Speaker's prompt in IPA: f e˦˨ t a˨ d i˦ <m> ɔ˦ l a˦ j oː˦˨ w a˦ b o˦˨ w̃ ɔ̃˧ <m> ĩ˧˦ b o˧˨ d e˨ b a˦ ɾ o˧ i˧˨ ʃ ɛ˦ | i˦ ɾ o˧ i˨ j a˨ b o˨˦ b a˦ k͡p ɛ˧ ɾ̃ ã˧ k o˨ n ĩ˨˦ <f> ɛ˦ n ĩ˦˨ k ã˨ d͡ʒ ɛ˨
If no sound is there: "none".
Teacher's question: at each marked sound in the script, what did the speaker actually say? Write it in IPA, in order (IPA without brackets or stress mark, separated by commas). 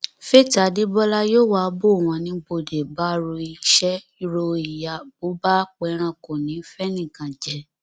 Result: b, n, f